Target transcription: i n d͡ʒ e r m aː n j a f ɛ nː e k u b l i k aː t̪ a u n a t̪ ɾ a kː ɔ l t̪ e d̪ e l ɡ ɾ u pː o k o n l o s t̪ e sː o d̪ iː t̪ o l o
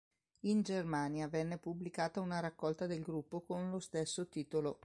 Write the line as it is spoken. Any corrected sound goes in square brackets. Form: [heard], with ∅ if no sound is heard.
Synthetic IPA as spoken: i n d͡ʒ e r m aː n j a [v] ɛ nː e [p] u b l i k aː t̪ a u n a [∅] ɾ a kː ɔ l t̪ [a] d̪ e l ɡ ɾ u pː o k o n l o s t̪ e sː o [t̪] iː t̪ o l o